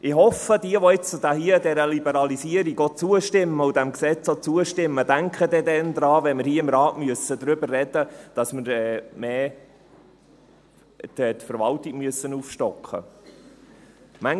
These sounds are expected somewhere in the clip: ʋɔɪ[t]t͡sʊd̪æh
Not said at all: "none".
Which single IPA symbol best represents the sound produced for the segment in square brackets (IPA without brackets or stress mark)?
t͡s